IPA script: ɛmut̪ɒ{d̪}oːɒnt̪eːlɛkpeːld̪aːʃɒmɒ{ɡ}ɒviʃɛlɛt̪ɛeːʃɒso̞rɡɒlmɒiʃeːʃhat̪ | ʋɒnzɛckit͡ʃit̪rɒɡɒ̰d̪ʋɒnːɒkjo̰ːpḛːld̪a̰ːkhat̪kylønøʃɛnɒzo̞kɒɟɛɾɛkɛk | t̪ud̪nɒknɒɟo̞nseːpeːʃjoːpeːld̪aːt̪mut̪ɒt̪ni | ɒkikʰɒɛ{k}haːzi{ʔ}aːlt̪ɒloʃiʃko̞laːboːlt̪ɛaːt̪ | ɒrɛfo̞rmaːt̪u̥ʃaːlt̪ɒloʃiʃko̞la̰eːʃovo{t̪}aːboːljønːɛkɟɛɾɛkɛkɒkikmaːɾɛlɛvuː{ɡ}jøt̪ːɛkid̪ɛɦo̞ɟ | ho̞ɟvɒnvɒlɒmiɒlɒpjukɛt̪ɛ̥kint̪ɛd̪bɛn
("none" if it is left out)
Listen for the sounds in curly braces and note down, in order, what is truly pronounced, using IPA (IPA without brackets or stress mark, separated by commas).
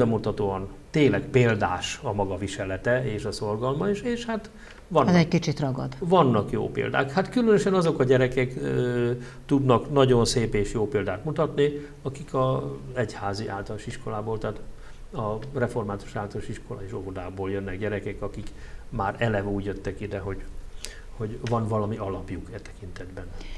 t̪, ɡ, c, ʔ, d̪, ɟ